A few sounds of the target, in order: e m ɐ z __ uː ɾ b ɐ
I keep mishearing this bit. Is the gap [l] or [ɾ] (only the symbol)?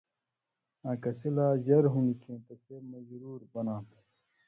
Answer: ɾ